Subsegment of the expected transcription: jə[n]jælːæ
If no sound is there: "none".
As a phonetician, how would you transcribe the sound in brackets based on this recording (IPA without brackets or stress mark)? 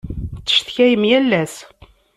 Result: m